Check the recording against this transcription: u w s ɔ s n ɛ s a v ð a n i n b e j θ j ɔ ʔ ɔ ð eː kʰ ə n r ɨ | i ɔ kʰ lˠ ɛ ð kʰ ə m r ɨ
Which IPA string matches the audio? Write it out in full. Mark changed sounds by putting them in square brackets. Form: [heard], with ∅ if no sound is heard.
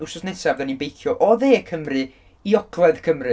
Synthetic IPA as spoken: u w s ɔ s n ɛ s a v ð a n i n b e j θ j ɔ ʔ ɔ ð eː kʰ ə [m] r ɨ | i ɔ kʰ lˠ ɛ ð kʰ ə m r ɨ